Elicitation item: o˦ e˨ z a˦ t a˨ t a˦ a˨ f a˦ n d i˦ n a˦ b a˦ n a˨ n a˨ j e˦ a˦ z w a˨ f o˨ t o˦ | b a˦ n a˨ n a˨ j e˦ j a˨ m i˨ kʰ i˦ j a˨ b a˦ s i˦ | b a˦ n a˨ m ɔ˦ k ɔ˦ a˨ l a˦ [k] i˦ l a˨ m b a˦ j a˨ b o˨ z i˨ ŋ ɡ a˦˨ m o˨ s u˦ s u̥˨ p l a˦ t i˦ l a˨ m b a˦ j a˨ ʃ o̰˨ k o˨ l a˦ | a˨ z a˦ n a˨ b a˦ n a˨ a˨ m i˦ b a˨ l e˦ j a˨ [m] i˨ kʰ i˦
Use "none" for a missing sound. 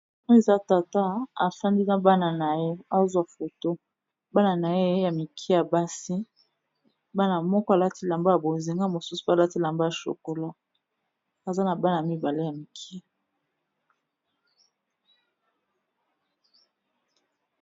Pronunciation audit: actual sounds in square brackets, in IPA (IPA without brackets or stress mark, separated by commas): t, m